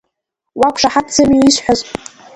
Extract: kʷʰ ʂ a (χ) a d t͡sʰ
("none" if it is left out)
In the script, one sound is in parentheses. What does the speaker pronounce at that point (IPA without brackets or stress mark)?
ħ